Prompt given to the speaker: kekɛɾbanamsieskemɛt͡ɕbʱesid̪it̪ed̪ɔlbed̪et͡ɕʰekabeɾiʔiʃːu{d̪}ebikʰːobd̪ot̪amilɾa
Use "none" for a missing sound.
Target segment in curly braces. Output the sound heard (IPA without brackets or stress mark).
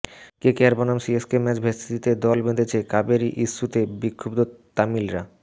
t̪